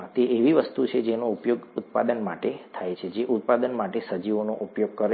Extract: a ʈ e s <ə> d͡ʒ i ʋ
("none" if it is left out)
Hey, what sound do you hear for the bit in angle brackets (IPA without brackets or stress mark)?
ə